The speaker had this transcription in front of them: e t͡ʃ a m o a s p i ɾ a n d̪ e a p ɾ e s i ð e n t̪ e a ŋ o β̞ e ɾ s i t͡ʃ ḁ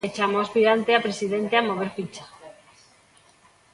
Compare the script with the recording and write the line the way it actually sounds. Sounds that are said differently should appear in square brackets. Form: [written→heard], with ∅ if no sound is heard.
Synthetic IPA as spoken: e t͡ʃ a m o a s p i ɾ a n [d̪→t̪] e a p ɾ e s i ð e n t̪ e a [ŋ→m] o β̞ e ɾ [s→f] i t͡ʃ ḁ